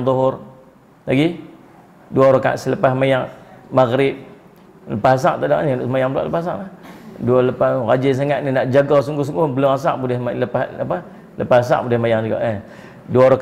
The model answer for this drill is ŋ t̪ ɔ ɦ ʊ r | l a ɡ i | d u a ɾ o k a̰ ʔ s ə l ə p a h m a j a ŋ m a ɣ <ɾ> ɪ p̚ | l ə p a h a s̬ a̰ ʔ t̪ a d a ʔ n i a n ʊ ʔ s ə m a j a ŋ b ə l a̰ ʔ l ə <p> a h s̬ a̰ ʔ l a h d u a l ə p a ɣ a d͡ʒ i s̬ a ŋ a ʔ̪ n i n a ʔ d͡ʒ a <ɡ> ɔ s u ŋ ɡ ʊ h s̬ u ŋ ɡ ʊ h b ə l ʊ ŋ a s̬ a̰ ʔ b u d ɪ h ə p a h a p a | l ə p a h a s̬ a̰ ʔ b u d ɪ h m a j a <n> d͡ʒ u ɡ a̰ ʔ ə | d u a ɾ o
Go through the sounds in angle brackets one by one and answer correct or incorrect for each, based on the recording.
correct, correct, correct, incorrect: ŋ

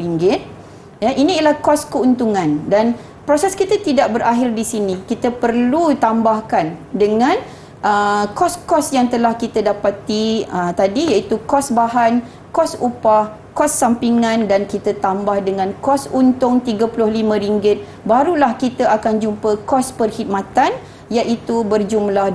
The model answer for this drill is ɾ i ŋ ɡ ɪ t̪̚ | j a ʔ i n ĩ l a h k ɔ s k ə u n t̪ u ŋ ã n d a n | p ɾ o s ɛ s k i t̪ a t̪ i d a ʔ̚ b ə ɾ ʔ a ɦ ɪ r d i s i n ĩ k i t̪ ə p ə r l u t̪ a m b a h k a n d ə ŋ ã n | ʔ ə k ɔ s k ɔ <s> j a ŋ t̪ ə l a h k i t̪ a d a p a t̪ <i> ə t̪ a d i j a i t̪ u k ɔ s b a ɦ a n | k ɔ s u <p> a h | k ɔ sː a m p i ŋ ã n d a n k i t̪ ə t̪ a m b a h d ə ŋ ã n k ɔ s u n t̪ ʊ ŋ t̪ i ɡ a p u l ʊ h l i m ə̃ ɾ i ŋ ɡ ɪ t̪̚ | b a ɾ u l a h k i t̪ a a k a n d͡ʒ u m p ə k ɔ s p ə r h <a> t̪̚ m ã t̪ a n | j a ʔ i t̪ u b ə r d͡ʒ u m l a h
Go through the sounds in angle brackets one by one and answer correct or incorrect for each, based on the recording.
correct, correct, correct, incorrect: i

